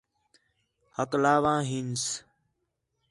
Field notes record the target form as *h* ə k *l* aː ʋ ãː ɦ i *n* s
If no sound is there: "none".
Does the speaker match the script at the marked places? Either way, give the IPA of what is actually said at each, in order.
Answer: h, l, n

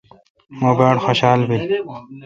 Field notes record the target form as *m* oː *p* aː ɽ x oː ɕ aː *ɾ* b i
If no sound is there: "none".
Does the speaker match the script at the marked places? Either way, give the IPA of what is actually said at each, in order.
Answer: m, b, l

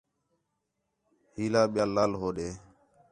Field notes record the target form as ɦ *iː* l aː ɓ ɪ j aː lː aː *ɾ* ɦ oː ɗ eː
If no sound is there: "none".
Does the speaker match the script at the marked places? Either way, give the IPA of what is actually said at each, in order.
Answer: iː, l

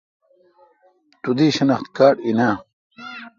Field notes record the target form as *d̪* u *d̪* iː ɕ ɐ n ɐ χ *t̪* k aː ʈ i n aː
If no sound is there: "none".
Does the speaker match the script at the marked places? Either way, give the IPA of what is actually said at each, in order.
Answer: t̪, d̪, t̪

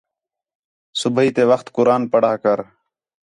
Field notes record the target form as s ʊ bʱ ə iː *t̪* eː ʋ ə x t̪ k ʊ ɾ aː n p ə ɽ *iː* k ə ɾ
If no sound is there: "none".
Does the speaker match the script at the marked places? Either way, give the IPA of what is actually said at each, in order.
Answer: t̪, aː

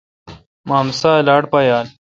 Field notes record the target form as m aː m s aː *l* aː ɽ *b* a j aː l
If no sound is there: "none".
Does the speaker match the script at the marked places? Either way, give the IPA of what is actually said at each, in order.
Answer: l, p

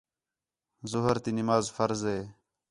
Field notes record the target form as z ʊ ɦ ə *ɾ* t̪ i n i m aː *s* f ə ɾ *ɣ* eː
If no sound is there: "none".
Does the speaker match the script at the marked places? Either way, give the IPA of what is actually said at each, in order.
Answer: ɾ, z, z

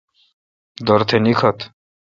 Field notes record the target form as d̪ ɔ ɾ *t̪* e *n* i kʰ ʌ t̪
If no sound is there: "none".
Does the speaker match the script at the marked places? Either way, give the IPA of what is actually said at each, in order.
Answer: t̪ʰ, n

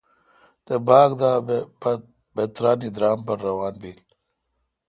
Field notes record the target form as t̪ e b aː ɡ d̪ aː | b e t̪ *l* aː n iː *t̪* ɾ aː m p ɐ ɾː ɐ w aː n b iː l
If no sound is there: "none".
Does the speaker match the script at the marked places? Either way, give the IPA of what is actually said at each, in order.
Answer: ɾ, d̪

